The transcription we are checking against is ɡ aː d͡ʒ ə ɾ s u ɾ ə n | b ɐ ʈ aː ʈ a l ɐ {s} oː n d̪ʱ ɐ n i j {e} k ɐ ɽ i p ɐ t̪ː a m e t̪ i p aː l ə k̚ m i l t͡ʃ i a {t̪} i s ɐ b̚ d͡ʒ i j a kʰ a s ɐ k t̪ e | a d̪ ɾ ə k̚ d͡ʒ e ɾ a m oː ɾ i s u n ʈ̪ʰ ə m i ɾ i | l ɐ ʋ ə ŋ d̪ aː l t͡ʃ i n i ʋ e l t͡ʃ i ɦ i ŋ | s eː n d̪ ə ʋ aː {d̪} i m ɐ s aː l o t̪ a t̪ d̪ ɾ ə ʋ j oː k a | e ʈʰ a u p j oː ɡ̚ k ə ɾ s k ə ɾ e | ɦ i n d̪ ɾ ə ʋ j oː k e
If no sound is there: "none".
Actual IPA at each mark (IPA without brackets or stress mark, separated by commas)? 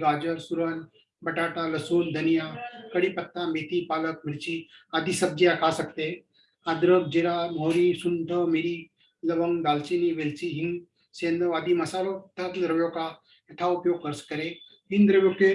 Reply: s, a, d̪, d̪